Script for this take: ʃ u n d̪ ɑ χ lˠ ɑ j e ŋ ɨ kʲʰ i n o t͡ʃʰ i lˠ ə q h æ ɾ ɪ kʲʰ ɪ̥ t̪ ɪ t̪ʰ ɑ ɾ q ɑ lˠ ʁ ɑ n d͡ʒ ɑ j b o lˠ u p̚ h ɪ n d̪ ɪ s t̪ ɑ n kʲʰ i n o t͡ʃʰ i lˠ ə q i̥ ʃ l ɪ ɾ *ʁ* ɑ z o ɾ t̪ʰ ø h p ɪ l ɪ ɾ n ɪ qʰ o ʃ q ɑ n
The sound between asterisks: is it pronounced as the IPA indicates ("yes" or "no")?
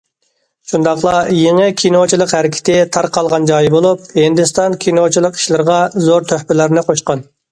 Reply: yes